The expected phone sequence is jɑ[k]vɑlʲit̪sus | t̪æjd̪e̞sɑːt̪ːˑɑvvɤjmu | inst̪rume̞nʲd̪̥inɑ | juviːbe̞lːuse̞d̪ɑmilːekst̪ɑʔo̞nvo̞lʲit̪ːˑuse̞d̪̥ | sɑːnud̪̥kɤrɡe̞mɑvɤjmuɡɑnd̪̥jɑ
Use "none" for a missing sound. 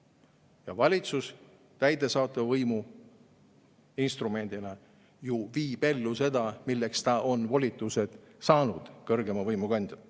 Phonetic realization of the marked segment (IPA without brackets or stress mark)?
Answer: none